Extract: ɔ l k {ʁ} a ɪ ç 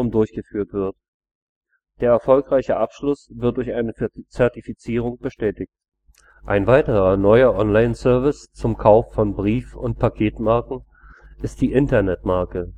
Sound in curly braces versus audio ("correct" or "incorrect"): correct